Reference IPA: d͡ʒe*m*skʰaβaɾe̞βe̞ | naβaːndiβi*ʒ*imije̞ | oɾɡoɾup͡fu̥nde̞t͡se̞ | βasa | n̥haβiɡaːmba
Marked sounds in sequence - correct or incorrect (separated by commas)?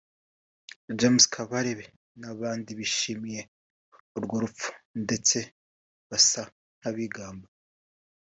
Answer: correct, incorrect